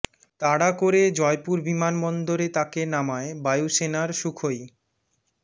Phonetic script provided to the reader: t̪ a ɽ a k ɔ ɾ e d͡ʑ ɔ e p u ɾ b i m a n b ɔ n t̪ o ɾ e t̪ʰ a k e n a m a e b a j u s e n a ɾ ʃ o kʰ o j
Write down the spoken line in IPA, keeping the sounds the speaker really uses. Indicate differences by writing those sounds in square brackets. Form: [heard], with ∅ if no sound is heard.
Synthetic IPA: t̪ a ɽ a k [o] ɾ e d͡ʑ ɔ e p u ɾ b i m a n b ɔ n [d̪] o ɾ e [t̪] a k e n a m a e b a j u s e n a ɾ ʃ [u] kʰ o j

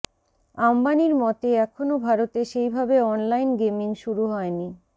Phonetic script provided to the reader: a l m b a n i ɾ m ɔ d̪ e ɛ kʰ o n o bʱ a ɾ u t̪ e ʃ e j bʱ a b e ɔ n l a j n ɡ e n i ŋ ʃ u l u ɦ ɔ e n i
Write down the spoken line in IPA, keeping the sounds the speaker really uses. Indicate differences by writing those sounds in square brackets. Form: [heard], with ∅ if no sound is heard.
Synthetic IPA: a [∅] m b a n i ɾ m ɔ [t̪] e ɛ kʰ o n o bʱ a ɾ [o] t̪ e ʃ e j bʱ a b e ɔ n l a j n ɡ e [m] i ŋ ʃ u [ɾ] u ɦ ɔ e n i

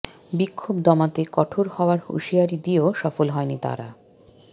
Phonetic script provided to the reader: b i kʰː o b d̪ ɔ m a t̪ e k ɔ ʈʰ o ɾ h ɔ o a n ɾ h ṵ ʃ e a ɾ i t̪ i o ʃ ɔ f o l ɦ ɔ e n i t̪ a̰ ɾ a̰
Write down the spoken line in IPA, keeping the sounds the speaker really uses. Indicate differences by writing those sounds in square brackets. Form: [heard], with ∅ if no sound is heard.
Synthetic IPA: b i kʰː o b d̪ ɔ m a t̪ e k ɔ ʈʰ o ɾ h ɔ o a [∅] ɾ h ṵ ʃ [i] a ɾ i [d̪] i o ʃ ɔ f o l ɦ ɔ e n i t̪ a̰ ɾ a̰

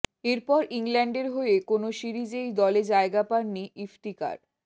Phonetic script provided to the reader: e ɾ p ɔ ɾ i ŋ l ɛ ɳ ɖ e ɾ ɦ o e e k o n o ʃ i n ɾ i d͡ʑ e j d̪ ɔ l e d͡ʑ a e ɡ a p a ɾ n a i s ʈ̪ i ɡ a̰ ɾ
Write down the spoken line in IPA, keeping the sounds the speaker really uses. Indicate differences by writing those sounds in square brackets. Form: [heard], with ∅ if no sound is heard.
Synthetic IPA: e ɾ p ɔ ɾ i ŋ l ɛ ɳ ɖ e ɾ ɦ o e e k o n o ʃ i [∅] ɾ i d͡ʑ e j d̪ ɔ l e d͡ʑ a e ɡ a p a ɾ n [i] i [f] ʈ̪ i [k] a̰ ɾ

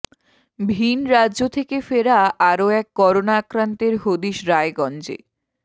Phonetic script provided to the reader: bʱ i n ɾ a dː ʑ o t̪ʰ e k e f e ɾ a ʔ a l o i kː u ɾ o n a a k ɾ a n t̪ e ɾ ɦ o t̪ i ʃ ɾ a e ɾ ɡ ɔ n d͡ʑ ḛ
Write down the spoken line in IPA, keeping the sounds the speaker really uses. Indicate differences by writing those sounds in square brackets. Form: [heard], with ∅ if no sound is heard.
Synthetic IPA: bʱ i n ɾ a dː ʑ o t̪ʰ e k e f e ɾ a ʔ a [ɾ] o [ɛ] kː [ɔ] ɾ o n a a k ɾ a n t̪ e ɾ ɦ o [d̪] i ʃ ɾ a e [∅] ɡ ɔ n d͡ʑ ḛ

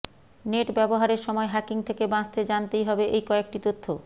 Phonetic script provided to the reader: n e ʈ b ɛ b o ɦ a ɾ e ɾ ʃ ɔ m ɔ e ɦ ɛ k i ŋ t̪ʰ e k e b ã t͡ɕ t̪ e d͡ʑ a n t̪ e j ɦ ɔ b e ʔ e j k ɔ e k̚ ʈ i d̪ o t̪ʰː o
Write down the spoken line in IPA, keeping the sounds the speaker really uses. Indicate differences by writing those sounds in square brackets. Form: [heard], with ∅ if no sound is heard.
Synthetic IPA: n e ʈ b ɛ b o ɦ a ɾ e ɾ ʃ ɔ m ɔ e ɦ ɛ k i ŋ t̪ʰ e k e b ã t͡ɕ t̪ e d͡ʑ a n t̪ e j ɦ ɔ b e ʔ e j k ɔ e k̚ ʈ i [t̪] o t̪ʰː o

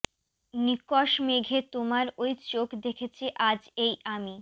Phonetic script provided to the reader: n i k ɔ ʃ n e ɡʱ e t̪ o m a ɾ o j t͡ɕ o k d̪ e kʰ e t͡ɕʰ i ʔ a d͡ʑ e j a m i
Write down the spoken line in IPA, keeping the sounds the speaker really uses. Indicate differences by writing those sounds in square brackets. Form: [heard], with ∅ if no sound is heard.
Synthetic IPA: n i k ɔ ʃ [m] e ɡʱ e t̪ o m a ɾ o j t͡ɕ o k d̪ e kʰ e t͡ɕʰ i ʔ a d͡ʑ e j a m i

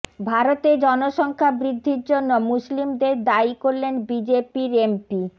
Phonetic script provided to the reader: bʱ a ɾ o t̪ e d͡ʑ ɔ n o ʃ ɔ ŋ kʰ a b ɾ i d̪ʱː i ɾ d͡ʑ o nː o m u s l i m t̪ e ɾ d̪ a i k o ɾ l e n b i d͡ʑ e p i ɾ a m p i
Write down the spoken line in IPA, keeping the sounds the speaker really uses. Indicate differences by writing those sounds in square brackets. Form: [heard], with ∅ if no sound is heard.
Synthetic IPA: bʱ a ɾ o t̪ e d͡ʑ ɔ n o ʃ ɔ ŋ kʰ a b ɾ i d̪ʱː i ɾ d͡ʑ o nː o m u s l i m [d̪] e ɾ d̪ a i k o ɾ l e n b i d͡ʑ e p i ɾ [e] m p i

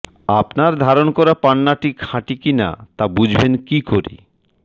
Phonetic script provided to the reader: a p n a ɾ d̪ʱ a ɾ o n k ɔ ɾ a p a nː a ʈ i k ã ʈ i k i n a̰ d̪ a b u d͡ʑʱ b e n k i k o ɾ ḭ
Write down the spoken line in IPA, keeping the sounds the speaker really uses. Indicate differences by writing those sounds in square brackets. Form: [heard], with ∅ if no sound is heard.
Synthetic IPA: a p n a ɾ d̪ʱ a ɾ o n k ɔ ɾ a p a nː a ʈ i [kʰ] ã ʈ i k i n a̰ [t̪] a b u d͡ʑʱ b e n k i k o ɾ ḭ

